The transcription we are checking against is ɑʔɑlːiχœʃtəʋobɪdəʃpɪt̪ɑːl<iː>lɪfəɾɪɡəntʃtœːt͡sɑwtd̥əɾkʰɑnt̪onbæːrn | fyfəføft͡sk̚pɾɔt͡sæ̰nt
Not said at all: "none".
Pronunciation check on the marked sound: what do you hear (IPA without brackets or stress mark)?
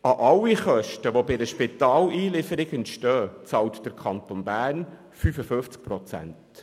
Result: iː